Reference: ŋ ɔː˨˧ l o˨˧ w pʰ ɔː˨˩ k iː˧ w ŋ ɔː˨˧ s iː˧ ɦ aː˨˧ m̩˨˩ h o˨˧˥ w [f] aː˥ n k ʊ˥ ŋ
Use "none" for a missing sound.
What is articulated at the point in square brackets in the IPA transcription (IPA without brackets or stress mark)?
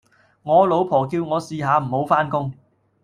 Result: f